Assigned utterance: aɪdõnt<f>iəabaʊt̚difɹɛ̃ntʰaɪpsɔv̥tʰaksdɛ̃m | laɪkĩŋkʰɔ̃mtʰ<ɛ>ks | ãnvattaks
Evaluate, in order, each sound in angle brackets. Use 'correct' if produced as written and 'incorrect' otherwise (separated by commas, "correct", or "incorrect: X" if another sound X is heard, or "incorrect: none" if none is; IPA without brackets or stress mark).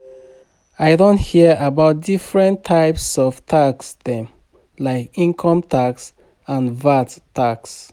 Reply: incorrect: h, incorrect: a